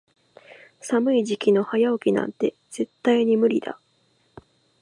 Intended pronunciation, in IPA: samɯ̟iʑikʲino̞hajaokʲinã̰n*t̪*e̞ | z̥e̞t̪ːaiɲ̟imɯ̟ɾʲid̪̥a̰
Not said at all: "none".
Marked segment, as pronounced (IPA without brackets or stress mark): t̪